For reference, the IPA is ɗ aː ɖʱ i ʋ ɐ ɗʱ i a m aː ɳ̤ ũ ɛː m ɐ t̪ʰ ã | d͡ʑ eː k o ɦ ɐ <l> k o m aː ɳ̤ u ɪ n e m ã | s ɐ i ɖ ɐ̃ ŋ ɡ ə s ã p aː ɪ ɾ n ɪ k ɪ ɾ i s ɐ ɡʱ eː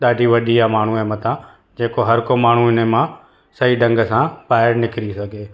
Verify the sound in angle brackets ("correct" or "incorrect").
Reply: incorrect